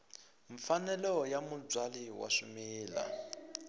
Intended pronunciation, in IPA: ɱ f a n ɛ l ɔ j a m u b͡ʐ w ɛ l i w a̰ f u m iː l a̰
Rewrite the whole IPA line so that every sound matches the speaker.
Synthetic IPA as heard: ɱ f a n ɛ l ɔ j a m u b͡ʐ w a l i w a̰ ʂ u m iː l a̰

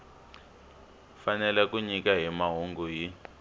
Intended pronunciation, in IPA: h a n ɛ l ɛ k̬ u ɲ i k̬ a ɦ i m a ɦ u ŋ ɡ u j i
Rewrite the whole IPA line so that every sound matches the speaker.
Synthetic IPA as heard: f a n ɛ l ɛ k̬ u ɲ i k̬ a ɦ i m a ɦ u ŋ ɡ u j i

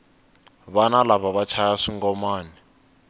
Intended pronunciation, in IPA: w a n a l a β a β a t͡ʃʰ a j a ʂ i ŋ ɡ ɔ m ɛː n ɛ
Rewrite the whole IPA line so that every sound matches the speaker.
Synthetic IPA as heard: β a n a l a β a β a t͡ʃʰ a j a ʂ i ŋ ɡ ɔ m aː n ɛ

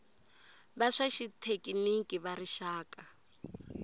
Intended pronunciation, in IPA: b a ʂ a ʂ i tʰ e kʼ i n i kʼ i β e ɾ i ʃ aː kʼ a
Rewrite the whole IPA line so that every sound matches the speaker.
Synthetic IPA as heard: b a ʂ a ʃ i tʰ e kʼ i n i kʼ i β a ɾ i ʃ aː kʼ a

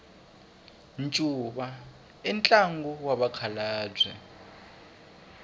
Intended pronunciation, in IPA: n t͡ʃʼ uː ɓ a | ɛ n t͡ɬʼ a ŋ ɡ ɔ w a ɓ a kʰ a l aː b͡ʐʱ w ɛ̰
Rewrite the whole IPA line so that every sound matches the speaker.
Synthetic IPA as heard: n t͡ʃʼ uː ɓ a | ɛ n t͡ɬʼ a ŋ ɡ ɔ w a ɓ a kʰ a l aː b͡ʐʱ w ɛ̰

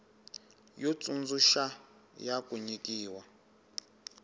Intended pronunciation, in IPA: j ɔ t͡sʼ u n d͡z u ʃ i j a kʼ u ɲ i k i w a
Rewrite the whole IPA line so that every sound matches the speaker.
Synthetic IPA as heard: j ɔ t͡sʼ u n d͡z u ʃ a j a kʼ u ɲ i k iː w a

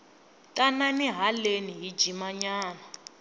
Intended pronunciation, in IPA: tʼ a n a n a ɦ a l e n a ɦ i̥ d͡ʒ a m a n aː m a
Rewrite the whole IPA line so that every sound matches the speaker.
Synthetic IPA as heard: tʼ a n a n i ɦ a l e n i ɦ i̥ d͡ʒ i m a ɲ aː n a

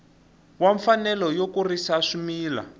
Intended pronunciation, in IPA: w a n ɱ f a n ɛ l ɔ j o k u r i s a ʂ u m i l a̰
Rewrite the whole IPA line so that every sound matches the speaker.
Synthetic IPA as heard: w a ɱ f a n ɛ l ɔ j o k u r i s a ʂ u m iː l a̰

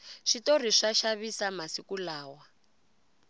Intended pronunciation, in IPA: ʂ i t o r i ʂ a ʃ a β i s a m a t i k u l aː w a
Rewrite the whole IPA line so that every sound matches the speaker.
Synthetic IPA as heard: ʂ i t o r i ʂ a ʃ a β i s a m a s i k u l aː w a

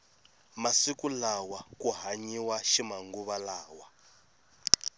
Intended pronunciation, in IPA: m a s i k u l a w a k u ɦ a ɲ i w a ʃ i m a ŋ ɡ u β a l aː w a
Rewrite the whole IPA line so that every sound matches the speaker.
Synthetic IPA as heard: m a s i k u l a w a k u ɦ a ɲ i w a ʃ i m a ŋ ɡ u β a l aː w a

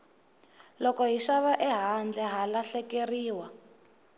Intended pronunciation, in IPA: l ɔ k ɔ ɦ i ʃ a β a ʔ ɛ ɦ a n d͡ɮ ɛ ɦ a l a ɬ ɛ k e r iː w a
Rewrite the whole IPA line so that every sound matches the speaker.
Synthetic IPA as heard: l ɔ k ɔ ɦ i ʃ a β a ʔ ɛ ɦ a n d͡ɮ ɛ ɦ a l a ɬ ɛ k e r iː w a

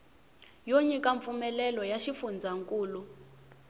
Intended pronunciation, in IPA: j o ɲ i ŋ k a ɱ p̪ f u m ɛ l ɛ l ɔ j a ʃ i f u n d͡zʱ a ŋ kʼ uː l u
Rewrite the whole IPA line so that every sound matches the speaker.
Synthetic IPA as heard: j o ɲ i k a ɱ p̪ f u m ɛ l ɛ l ɔ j a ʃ i f u n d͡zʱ a ŋ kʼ uː l u

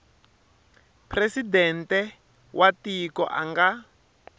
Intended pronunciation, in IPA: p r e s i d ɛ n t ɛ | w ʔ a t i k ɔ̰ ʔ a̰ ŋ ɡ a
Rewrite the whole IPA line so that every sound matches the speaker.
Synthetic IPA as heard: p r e s i d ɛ n t ɛ | w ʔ a t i k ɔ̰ ʔ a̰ ŋ ɡ a

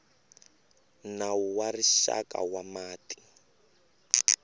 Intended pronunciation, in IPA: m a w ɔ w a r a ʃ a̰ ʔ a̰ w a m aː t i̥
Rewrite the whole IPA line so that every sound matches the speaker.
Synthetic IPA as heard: n a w u w a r i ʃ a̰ k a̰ w a m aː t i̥

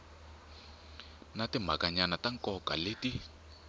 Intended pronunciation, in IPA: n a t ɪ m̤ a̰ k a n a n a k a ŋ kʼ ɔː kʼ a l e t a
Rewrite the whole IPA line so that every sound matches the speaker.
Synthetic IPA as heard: n a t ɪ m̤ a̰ k a ɲ a n a t a ŋ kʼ ɔ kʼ a l e t i

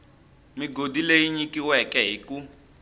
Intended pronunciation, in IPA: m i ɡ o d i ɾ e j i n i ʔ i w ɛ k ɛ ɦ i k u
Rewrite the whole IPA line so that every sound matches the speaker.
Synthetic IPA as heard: m i ɡ o d i l e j i ɲ i k i w ɛ k ɛ ɦ i k u

